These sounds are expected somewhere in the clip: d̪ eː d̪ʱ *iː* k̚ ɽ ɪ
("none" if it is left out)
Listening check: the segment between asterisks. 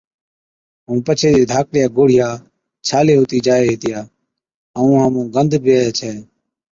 aː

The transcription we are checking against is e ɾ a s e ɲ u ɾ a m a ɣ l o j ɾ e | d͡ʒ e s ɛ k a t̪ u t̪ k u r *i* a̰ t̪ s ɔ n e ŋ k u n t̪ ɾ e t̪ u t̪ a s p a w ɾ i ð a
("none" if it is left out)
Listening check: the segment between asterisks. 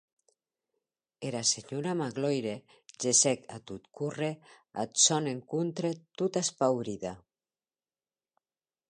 e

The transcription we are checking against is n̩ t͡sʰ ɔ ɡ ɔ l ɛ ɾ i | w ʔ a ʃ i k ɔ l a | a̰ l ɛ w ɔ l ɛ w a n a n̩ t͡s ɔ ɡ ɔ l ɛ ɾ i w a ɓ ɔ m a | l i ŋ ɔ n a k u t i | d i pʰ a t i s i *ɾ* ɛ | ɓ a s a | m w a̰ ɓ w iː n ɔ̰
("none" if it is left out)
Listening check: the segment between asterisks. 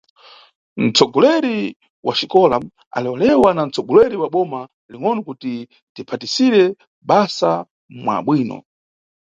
ɾ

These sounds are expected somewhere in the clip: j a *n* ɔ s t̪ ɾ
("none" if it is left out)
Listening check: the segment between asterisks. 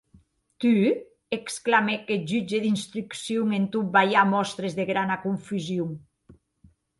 m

